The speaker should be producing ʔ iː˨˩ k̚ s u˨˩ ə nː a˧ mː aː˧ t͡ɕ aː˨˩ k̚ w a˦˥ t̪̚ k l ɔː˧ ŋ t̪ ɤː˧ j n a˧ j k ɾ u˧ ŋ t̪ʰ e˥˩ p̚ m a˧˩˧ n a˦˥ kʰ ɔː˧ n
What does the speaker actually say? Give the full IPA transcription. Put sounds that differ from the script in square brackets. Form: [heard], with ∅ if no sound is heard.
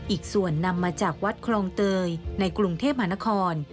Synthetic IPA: ʔ iː˨˩ k̚ s u˨˩ ə nː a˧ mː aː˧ t͡ɕ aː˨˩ k̚ w a˦˥ t̪̚ [kʰ] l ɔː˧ ŋ t̪ ɤː˧ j n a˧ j k ɾ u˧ ŋ t̪ʰ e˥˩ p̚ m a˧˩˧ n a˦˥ kʰ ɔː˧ n

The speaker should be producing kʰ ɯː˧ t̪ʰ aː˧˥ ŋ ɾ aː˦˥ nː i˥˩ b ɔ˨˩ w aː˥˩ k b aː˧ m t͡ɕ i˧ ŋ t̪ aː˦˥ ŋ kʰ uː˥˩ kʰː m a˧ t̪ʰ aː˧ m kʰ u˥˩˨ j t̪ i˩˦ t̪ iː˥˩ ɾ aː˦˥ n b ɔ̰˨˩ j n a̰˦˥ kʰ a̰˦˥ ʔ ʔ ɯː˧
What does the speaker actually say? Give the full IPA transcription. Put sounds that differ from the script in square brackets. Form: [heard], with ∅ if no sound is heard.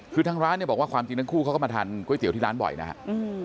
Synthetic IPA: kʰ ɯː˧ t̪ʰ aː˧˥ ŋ ɾ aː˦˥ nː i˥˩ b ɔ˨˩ w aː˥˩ k [w] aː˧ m t͡ɕ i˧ ŋ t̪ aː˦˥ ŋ kʰ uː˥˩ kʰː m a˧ t̪ʰ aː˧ [n] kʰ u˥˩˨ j t̪ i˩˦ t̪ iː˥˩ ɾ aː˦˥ n b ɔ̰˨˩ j n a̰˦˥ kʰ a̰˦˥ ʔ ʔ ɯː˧

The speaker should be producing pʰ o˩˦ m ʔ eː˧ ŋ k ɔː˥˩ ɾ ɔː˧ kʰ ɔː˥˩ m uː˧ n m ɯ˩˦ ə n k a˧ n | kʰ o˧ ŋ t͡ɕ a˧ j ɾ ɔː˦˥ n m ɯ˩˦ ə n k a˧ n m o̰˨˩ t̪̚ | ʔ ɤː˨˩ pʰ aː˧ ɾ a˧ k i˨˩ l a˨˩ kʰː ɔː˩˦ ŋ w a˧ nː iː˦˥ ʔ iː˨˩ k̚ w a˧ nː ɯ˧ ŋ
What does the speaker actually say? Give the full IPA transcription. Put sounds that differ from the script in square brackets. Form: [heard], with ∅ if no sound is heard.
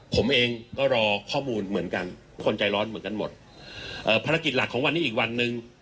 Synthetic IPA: pʰ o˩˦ m ʔ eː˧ ŋ k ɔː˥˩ ɾ ɔː˧ kʰ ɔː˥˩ m uː˧ n m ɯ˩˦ ə n k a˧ n | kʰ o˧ [n] t͡ɕ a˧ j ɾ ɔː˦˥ n m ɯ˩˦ ə n k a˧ n m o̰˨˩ t̪̚ | ʔ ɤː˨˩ pʰ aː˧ ɾ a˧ k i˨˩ l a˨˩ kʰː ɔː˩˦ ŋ w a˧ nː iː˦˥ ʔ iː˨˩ k̚ w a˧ nː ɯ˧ ŋ

